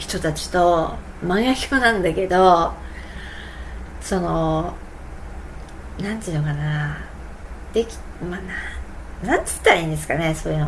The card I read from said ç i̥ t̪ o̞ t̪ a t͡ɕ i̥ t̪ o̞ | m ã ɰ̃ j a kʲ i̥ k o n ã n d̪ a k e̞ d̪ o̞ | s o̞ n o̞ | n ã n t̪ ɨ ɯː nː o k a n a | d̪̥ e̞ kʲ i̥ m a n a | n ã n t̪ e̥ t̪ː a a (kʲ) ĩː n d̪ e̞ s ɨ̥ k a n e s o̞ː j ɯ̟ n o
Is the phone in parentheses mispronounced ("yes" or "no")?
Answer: yes